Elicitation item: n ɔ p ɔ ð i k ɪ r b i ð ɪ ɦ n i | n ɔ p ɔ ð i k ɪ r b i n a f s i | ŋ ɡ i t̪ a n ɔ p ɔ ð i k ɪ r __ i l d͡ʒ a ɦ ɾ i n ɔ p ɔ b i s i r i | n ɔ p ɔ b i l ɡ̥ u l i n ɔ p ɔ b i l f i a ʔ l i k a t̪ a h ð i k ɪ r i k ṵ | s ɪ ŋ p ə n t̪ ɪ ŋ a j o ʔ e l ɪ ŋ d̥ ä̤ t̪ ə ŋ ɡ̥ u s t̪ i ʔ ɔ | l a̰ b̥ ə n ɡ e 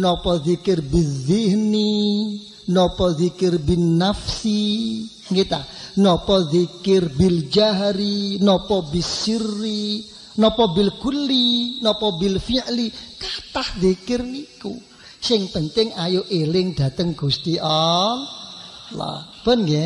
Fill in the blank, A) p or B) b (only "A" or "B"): B